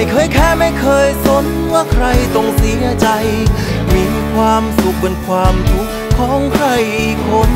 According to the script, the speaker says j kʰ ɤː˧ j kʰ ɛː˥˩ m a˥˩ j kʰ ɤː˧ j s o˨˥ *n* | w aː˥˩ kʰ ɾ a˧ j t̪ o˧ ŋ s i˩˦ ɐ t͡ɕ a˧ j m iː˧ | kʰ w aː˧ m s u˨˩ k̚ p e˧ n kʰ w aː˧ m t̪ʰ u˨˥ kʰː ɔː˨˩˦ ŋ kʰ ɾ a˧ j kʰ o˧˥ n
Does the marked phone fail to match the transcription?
no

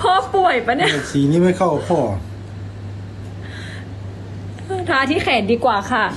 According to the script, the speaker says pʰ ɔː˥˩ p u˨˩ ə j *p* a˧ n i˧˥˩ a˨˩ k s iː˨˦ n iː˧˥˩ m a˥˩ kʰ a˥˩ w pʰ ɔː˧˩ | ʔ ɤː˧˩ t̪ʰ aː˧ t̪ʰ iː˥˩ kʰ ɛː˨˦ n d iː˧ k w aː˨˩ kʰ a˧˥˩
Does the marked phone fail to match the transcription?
no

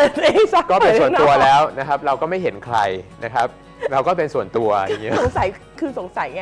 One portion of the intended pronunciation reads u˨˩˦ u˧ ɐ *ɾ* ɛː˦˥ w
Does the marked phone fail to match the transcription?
yes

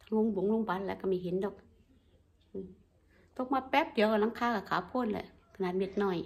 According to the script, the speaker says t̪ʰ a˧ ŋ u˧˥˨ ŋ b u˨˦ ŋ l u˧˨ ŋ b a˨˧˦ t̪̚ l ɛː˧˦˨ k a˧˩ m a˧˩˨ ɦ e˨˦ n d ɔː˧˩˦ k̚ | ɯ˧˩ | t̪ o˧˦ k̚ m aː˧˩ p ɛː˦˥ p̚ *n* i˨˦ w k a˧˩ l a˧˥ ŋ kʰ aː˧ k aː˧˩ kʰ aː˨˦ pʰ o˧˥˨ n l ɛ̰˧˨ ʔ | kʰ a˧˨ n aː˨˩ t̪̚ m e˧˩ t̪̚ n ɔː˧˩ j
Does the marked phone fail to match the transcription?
yes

